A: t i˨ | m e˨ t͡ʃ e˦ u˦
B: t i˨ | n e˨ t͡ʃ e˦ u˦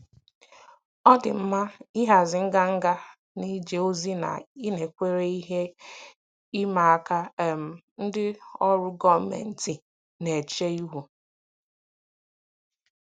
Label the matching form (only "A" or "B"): B